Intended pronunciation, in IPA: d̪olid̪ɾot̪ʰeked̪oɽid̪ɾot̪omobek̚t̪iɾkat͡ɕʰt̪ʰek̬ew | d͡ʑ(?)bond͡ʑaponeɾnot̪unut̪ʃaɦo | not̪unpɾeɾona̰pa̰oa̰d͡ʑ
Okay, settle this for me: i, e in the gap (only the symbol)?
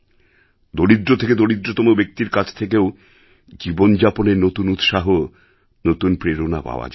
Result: i